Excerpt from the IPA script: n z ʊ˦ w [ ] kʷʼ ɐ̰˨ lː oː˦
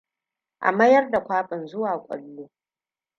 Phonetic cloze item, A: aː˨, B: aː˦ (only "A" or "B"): A